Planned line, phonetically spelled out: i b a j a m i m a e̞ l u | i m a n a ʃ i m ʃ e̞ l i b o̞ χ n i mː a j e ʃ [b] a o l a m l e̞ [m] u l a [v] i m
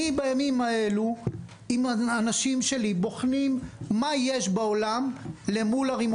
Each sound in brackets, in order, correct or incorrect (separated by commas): correct, correct, incorrect